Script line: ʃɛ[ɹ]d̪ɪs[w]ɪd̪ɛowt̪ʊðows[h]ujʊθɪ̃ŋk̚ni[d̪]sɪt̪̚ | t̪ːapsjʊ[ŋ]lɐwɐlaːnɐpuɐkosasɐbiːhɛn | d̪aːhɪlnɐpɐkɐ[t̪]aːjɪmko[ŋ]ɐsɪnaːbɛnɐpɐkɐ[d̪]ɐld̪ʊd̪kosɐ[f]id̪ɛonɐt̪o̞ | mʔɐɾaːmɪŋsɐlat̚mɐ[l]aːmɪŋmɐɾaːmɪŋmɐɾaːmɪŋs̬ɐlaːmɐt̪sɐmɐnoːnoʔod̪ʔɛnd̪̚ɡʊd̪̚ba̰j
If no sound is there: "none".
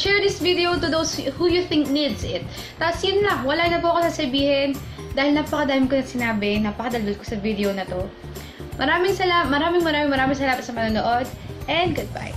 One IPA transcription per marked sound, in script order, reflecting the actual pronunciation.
ɹ, v, h, d̪, n, d̪, n, d̪, v, ɾ

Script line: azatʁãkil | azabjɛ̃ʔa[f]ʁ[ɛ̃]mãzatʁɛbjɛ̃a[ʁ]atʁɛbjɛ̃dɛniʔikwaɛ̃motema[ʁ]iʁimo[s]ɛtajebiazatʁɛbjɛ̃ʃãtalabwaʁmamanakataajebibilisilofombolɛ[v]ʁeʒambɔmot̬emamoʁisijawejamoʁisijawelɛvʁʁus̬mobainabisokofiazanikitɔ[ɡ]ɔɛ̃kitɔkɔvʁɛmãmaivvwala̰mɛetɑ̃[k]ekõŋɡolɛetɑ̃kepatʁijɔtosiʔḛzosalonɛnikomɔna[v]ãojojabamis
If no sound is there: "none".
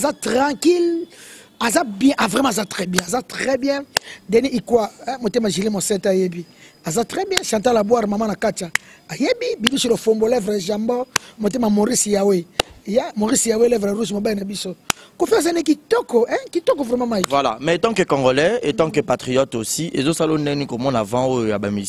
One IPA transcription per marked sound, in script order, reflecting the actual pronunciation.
v, ɛ, z, ʒ, s, v, k, k, v

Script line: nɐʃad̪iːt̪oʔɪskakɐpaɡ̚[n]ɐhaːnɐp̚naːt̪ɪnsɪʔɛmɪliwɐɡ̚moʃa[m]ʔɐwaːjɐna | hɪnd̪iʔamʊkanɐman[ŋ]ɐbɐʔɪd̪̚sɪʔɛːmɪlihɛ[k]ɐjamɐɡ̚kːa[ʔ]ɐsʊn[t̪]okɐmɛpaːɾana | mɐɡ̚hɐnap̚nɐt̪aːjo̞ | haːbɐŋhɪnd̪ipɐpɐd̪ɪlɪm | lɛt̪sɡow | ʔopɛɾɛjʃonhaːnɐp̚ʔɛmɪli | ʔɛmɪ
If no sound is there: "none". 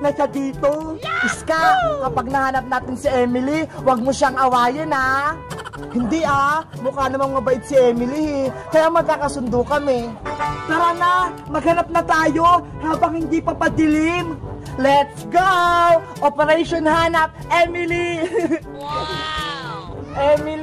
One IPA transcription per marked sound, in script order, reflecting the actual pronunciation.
n, ŋ, m, k, k, d̪

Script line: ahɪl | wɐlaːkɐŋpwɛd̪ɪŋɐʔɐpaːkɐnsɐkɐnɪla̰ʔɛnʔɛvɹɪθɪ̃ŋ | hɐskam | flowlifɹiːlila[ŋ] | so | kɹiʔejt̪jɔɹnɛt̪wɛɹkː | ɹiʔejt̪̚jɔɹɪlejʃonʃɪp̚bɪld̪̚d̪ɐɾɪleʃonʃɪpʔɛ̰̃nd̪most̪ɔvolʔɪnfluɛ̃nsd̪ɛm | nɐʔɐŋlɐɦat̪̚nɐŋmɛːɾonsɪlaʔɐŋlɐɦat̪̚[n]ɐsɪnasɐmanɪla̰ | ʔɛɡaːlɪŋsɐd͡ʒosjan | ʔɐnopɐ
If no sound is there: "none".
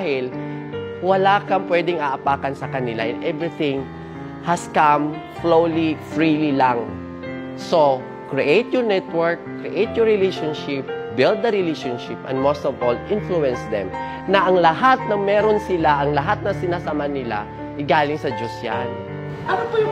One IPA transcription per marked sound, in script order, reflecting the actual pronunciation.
ŋ, n

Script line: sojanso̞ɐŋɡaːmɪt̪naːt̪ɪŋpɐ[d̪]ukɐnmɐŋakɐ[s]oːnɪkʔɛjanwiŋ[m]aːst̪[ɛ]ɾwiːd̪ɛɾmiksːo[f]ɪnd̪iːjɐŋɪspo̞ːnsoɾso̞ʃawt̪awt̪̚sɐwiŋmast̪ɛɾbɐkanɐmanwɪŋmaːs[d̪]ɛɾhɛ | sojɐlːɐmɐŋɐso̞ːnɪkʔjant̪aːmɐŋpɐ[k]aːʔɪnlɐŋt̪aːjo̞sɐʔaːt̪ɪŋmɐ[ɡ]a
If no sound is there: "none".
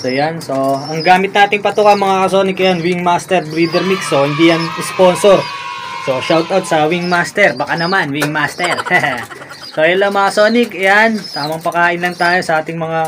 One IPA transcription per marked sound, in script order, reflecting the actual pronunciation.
t̪, s, m, ɛ, h, t̪, k, ŋ

